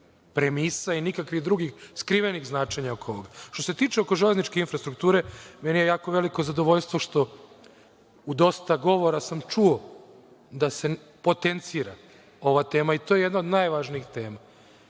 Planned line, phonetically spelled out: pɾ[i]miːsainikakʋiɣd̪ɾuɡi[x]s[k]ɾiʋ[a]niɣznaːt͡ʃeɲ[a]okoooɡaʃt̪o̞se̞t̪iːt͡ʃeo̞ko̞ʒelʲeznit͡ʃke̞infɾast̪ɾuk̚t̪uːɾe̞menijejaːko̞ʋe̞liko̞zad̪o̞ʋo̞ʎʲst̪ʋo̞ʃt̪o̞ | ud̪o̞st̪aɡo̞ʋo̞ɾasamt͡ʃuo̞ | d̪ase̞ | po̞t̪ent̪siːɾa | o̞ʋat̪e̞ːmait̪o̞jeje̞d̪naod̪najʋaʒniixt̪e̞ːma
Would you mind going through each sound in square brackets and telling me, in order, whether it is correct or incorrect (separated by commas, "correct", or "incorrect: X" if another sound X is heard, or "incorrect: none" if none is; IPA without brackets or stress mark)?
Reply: incorrect: e, correct, correct, incorrect: e, correct